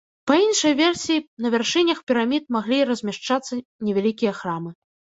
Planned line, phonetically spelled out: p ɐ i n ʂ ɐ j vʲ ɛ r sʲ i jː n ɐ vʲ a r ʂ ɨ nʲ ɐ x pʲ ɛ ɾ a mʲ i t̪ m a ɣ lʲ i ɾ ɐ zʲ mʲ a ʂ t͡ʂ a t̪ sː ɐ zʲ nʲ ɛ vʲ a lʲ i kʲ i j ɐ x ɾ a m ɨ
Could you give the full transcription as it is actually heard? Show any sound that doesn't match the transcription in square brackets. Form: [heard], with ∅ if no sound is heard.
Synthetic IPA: p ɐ i n ʂ ɐ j vʲ ɛ r sʲ i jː n ɐ vʲ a r ʂ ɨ nʲ ɐ x pʲ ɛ ɾ a mʲ i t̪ m a ɣ lʲ i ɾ ɐ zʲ mʲ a ʂ t͡ʂ a t̪ sː ɐ [∅] nʲ ɛ vʲ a lʲ i kʲ i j ɐ x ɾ a m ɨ